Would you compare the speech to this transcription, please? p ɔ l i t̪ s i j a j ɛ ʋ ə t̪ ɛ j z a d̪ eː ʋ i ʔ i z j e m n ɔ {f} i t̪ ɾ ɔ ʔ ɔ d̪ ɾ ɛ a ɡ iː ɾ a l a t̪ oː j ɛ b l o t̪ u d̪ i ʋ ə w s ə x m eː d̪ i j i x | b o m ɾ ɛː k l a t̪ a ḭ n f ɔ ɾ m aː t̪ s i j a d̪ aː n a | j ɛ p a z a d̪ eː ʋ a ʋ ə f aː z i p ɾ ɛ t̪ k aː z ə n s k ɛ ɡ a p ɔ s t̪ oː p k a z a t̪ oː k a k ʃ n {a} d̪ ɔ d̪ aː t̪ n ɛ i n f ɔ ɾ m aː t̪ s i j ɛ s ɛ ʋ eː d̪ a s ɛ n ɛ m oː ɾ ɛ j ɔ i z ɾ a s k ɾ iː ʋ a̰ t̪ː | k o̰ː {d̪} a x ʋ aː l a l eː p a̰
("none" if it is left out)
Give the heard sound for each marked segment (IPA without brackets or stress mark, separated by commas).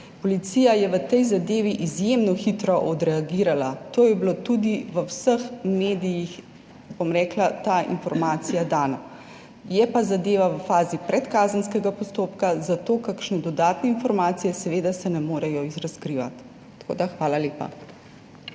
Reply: x, ɛ, d̪